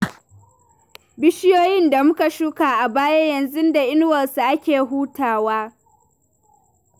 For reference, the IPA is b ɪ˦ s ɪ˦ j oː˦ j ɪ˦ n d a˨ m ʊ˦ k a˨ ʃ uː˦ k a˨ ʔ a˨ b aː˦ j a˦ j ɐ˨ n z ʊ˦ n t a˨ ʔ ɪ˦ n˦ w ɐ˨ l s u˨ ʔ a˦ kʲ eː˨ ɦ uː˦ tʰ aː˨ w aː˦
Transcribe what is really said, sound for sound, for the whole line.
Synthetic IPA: b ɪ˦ ʃ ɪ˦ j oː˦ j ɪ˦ n d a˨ m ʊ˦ k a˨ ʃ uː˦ k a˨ ʔ a˨ b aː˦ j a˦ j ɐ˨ n z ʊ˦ n d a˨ ʔ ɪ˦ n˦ w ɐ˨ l s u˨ ʔ a˦ kʲ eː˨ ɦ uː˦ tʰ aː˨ w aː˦